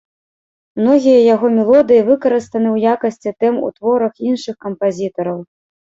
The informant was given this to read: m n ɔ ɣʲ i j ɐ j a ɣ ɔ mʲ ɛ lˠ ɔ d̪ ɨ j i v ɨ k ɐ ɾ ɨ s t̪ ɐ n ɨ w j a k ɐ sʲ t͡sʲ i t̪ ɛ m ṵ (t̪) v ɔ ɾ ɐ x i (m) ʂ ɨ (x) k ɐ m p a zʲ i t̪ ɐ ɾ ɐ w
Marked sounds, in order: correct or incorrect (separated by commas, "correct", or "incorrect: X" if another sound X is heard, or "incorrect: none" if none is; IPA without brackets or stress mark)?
correct, incorrect: n, correct